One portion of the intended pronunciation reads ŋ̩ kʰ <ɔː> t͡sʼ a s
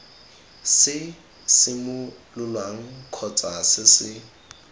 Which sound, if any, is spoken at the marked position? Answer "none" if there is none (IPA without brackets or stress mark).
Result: ɔ